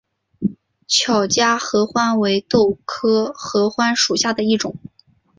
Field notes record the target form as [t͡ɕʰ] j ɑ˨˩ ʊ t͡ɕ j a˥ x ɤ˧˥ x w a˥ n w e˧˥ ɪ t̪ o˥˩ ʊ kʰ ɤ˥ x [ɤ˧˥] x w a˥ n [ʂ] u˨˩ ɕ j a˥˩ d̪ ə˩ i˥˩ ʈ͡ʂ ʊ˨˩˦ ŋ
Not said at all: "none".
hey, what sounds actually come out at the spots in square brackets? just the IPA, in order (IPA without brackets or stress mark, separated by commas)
t͡ɕʰ, ɤ˧˥, ʂ